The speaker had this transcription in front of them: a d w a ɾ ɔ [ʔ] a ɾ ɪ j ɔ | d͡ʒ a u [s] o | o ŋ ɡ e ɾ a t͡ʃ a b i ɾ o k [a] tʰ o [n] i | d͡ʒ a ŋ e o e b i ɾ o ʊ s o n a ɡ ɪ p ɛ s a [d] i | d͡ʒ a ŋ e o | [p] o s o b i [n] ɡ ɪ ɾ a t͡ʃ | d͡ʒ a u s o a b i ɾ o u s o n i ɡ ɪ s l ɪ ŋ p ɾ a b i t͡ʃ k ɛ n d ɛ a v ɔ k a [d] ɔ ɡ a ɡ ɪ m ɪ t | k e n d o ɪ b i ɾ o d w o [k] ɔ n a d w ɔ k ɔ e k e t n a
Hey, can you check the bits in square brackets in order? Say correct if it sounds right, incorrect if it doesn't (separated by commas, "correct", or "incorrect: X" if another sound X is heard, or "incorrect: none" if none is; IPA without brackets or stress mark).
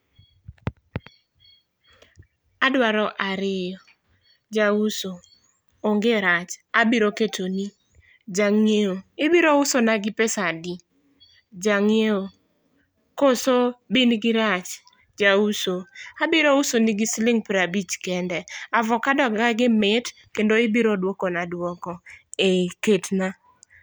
correct, correct, incorrect: e, correct, correct, incorrect: k, correct, correct, correct